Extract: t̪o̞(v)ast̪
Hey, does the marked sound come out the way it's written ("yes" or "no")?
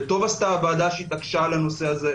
yes